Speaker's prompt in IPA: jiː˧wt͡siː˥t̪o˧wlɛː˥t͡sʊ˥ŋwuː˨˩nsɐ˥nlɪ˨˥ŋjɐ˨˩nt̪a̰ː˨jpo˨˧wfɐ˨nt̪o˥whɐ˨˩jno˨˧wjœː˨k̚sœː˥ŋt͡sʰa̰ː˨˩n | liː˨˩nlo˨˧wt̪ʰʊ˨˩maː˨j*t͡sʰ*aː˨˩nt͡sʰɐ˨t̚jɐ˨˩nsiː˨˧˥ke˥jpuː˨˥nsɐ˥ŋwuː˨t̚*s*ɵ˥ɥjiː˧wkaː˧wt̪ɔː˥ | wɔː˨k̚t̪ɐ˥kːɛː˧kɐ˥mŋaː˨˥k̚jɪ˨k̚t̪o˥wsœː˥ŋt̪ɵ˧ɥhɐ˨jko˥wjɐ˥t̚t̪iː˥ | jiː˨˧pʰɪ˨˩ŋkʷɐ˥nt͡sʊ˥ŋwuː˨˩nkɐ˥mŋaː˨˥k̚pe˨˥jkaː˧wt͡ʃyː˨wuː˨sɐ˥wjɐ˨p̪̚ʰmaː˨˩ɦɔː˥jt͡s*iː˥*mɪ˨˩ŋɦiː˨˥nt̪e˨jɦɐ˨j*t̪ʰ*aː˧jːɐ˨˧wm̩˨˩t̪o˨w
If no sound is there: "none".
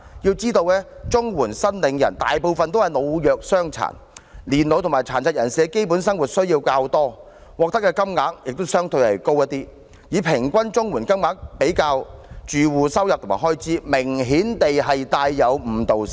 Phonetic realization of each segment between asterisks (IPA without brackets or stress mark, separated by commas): t͡sʰ, s, iː˥, t̪